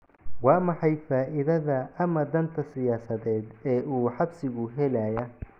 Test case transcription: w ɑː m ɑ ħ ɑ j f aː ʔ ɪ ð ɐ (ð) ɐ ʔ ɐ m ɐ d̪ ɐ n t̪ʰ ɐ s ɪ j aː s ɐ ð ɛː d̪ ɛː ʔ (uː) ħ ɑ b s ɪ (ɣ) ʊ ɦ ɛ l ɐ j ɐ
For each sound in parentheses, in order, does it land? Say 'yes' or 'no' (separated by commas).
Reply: yes, yes, yes